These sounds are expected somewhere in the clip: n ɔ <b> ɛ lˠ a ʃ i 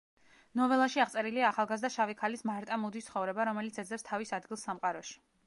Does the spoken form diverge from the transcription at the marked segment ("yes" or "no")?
yes